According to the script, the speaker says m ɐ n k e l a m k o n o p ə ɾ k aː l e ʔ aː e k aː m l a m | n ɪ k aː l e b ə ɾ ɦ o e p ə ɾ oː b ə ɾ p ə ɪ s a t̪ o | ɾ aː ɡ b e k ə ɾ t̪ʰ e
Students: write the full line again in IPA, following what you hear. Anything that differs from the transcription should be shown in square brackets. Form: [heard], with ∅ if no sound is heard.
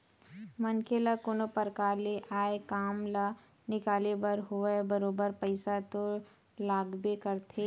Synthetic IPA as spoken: m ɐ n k e l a [∅] k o n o p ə ɾ k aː l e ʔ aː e k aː m l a [∅] | n ɪ k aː l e b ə ɾ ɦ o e [b] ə ɾ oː b ə ɾ p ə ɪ s a t̪ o | [l] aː ɡ b e k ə ɾ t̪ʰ e